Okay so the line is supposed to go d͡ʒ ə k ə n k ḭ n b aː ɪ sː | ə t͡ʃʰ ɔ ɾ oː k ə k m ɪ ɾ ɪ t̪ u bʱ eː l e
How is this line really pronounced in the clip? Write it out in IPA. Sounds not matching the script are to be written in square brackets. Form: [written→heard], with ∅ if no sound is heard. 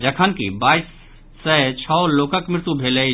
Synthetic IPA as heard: d͡ʒ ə [k→kʰ] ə n k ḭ [n→∅] b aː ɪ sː | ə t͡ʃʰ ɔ [ɾ→l] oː k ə k m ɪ ɾ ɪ t̪ u bʱ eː l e